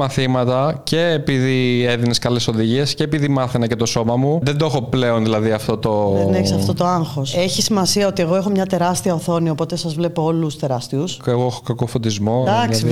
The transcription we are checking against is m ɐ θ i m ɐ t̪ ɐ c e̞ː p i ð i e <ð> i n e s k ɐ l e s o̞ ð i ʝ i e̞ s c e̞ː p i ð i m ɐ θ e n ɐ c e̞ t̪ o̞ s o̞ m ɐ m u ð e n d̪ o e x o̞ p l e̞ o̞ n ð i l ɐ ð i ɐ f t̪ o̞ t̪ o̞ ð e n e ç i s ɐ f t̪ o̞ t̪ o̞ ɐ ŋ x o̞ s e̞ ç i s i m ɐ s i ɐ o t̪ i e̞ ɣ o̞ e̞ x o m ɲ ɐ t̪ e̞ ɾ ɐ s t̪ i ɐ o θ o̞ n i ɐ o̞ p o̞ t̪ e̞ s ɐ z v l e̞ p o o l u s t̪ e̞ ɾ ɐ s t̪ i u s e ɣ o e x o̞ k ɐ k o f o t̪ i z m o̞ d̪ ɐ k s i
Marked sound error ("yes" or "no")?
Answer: no